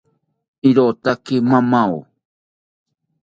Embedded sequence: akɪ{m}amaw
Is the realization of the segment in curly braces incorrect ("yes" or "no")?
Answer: no